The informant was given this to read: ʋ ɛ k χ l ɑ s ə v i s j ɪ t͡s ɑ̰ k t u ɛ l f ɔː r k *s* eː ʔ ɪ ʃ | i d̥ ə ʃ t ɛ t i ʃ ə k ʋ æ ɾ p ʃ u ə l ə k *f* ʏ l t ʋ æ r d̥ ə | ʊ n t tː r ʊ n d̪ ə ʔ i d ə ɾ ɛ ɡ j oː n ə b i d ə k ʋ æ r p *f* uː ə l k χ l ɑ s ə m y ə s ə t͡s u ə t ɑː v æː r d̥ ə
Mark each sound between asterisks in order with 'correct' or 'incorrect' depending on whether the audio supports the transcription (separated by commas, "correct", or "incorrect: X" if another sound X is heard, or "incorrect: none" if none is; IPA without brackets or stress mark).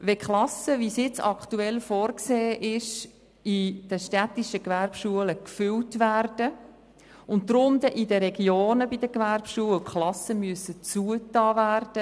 correct, correct, incorrect: ʃ